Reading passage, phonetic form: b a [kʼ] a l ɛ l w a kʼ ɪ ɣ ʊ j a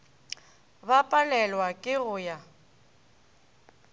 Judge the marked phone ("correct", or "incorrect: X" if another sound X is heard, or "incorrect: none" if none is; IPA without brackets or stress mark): incorrect: pʼ